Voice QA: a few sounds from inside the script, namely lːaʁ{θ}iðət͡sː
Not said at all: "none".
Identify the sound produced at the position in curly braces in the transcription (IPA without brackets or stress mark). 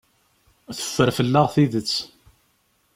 θ